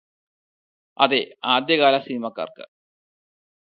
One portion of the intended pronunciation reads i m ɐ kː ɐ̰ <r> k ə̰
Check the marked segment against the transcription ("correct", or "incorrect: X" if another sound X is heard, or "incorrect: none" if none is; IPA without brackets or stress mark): correct